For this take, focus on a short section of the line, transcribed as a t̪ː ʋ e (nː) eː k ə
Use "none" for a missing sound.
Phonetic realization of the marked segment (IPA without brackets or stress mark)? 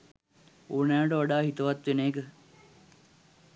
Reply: n